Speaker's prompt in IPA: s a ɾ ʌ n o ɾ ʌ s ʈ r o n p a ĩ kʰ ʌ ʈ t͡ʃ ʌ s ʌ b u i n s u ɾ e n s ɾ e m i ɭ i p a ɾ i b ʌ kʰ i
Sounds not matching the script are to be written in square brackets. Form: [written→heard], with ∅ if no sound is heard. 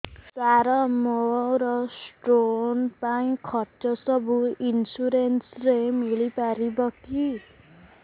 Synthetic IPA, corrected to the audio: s a ɾ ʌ [n→m] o ɾ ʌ s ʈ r o n p a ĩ kʰ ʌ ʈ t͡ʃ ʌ s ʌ b u i n s u ɾ e n s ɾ e m i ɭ i p a ɾ i b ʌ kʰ i